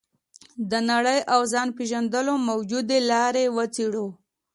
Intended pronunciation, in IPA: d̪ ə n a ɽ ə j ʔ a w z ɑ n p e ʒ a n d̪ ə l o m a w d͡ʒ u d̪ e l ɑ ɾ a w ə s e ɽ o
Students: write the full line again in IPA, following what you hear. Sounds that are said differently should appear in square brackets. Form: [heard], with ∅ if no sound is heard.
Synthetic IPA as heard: d̪ ə n a ɽ ə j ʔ a w z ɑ n p e ʒ a n d̪ ə l o m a w d͡ʒ u d̪ e l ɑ ɾ [e] w ə [t͡s] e ɽ o